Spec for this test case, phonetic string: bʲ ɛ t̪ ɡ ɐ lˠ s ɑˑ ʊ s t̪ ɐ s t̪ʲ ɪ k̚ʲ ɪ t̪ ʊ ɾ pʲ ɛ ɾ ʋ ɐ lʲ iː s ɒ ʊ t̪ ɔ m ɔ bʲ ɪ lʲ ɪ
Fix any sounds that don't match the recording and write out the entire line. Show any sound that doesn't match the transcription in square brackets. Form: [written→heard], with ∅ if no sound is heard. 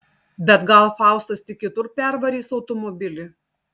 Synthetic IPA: bʲ ɛ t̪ ɡ ɐ lˠ [s→f] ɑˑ ʊ s t̪ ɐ s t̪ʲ ɪ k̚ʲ ɪ t̪ ʊ ɾ pʲ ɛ ɾ ʋ ɐ [lʲ→ɾʲ] iː s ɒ ʊ t̪ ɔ m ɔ bʲ ɪ lʲ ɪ